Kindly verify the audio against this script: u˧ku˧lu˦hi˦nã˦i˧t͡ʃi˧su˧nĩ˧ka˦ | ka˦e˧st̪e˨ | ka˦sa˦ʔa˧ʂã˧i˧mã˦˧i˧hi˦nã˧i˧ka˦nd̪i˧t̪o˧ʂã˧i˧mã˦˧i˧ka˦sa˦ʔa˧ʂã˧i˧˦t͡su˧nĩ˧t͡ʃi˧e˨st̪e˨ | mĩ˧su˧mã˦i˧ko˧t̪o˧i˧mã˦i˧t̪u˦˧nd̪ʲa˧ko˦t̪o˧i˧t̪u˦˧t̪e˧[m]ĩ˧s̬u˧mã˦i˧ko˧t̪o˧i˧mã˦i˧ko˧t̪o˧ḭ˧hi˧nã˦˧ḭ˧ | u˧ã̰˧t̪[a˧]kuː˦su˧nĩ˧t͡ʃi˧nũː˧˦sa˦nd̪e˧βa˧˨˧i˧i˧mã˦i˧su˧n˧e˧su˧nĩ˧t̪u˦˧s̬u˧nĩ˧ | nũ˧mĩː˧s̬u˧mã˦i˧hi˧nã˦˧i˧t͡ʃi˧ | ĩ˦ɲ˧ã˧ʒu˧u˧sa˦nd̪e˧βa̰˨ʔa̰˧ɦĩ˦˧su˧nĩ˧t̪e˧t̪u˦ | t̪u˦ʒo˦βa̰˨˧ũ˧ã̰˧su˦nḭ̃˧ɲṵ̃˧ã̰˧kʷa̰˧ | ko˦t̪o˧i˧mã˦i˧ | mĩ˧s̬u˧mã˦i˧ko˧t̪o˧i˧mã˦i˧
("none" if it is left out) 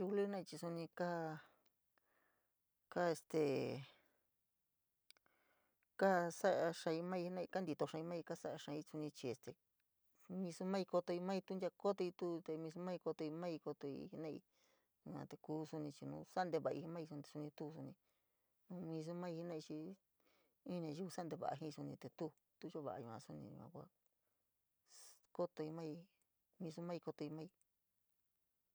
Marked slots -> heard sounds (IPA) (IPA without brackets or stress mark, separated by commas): m, e˧